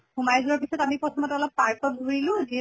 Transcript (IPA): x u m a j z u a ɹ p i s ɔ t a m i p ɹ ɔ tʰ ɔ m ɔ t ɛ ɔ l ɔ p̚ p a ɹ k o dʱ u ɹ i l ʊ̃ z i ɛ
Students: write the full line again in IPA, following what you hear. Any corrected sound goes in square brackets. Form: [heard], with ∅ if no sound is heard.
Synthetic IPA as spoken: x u m a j z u a ɹ p i s ɔ t a m i p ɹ ɔ tʰ ɔ m ɔ t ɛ ɔ l ɔ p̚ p a ɹ k [ɔ] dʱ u ɹ i l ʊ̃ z i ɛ